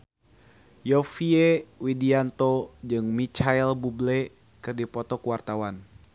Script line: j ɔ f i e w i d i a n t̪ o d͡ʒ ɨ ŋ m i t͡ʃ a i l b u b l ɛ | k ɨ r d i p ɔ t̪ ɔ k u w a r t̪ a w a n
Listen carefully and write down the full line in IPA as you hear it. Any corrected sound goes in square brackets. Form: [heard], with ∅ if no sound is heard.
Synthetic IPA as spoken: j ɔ f i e w i d i a n t̪ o d͡ʒ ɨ ŋ m i t͡ʃ a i l b u b l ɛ | k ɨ r d i p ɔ t̪ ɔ k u w a r t̪ a w a n